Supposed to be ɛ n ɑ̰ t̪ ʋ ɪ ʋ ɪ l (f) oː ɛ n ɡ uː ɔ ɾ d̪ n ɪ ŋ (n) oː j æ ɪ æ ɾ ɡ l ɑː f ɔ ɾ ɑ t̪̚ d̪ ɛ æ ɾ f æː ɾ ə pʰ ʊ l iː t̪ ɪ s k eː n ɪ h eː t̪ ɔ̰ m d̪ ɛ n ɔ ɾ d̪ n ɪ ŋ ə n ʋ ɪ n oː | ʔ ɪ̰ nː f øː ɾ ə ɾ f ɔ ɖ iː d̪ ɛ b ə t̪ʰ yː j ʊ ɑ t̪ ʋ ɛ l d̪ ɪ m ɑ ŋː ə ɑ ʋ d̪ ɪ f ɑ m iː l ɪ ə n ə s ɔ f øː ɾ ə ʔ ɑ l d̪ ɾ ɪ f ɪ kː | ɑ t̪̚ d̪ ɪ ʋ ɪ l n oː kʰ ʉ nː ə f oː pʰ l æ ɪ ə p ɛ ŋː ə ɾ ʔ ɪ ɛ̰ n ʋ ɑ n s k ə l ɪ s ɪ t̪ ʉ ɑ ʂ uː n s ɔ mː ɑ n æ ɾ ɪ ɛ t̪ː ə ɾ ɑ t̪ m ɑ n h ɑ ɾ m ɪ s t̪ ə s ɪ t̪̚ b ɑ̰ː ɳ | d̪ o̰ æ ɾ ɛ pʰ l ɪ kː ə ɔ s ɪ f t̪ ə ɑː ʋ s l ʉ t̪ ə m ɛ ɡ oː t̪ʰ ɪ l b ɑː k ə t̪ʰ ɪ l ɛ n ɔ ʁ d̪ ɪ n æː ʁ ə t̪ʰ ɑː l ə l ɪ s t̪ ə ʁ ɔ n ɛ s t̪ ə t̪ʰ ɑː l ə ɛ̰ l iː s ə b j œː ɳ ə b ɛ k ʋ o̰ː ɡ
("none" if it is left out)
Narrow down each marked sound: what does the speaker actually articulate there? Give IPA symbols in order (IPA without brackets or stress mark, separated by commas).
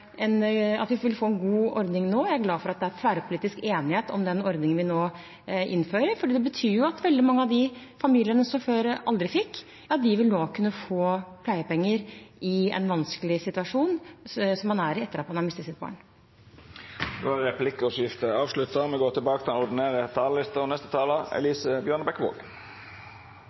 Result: f, n